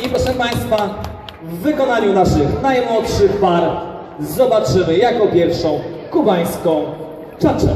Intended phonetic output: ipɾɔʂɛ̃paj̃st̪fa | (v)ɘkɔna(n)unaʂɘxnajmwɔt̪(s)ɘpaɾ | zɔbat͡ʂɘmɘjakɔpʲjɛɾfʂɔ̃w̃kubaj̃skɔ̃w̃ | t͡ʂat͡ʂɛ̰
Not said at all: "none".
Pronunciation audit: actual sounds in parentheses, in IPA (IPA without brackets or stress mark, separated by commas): vː, ɲ, ʂ